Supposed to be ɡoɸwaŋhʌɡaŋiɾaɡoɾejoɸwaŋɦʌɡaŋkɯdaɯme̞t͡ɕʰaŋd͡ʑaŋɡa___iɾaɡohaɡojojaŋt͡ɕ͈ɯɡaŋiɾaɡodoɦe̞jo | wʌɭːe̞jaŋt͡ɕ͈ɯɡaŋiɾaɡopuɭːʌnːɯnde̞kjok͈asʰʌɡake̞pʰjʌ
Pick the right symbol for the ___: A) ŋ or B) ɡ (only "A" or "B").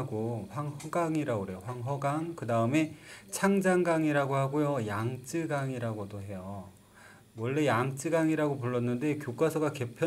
A